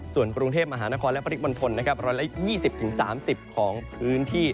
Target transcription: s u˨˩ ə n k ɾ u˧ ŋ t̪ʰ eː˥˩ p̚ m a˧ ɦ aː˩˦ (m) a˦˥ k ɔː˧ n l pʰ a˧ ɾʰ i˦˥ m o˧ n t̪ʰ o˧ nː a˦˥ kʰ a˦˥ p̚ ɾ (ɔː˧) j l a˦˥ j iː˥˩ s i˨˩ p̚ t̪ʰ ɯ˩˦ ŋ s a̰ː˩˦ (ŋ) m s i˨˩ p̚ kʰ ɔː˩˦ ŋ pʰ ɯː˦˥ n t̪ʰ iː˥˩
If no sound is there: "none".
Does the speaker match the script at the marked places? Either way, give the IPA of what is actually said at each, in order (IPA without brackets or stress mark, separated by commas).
n, ɔː˧, none